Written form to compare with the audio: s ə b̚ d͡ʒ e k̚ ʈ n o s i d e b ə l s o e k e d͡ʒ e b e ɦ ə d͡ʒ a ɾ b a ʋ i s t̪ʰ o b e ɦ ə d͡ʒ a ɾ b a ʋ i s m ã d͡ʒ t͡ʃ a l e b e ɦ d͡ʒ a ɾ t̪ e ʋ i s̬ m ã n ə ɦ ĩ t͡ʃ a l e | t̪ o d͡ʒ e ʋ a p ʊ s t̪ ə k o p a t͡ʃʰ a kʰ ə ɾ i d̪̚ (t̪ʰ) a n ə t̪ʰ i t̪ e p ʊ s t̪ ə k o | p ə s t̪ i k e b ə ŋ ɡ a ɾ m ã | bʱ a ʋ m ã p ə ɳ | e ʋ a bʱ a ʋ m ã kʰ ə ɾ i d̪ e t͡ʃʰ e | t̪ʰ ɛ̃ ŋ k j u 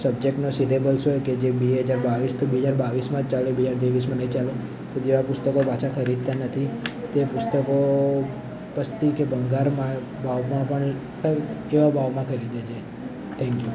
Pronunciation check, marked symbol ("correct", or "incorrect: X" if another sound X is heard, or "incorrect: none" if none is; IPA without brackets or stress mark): incorrect: t̪